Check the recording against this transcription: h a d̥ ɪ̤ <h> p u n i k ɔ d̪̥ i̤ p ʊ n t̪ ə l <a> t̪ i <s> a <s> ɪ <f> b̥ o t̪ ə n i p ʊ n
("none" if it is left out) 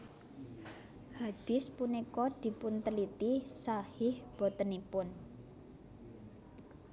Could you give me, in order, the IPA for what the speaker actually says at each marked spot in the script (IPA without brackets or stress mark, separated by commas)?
s, i, s, h, h